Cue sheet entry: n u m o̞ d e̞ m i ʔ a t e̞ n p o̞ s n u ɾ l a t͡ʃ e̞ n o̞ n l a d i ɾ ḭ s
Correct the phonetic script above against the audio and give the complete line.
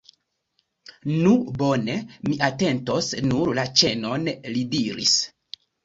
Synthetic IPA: n u b o̞ n e̞ m i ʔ a t e̞ n t o̞ s n u ɾ l a t͡ʃ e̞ n o̞ n l i d i ɾ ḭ s